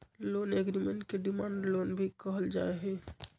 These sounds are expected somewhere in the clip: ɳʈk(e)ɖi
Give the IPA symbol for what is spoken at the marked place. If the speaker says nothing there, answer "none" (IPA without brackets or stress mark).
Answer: e